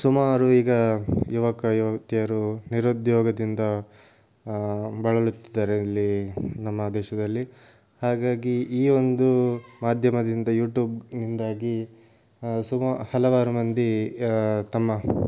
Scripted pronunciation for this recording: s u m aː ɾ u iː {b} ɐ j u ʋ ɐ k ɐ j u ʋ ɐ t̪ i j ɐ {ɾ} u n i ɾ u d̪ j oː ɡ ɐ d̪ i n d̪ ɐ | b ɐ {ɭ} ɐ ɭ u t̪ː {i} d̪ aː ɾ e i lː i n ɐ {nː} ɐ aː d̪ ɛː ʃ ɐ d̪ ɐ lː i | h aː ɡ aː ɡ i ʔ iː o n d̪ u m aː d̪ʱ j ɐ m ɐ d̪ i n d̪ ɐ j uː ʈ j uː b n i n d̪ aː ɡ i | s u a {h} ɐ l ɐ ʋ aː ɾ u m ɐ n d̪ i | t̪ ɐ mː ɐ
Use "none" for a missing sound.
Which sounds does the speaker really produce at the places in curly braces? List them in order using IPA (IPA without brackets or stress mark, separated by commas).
ɡ, ɾ, ɭ, i, mː, h